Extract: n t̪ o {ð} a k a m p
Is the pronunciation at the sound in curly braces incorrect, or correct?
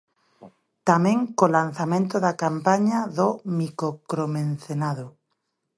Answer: correct